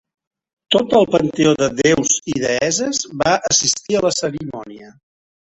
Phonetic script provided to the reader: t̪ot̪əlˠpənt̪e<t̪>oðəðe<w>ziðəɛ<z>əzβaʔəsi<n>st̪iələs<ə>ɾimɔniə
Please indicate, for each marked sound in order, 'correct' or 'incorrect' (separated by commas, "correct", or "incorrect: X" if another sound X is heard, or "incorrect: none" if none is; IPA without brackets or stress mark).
incorrect: none, correct, correct, incorrect: none, correct